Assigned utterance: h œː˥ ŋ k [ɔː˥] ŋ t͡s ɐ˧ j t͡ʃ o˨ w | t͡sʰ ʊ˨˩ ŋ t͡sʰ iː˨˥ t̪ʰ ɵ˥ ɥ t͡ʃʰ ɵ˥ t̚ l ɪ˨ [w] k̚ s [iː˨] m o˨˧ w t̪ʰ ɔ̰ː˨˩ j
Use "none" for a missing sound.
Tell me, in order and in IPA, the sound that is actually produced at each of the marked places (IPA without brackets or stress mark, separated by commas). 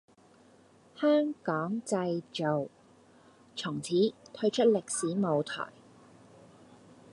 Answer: ɔː˨˥, none, iː˨˥